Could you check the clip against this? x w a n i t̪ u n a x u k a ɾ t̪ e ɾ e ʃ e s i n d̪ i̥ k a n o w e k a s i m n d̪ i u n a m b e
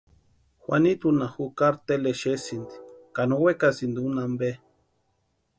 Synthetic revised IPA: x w a n i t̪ u n a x u k a ɾ t̪ e l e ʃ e s i n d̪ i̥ k a n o w e k a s i n d̪ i u n a m b e